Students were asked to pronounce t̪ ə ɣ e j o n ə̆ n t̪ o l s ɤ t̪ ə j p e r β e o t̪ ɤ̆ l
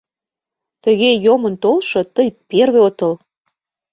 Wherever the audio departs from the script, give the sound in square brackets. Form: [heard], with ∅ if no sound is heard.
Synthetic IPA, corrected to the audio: t̪ ə ɣ e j o [m] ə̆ n t̪ o l [ʃ] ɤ t̪ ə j p e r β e o t̪ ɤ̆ l